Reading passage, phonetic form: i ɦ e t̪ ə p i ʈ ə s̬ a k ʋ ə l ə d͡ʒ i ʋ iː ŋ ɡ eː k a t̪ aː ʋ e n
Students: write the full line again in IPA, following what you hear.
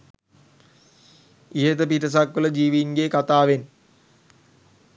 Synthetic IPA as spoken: i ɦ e t̪ ə p i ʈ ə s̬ a k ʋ ə l ə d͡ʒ iː ʋ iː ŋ ɡ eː k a t̪ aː ʋ e n